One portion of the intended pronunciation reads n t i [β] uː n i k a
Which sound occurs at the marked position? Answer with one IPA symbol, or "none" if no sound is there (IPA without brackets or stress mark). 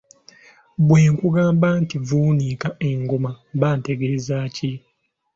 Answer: v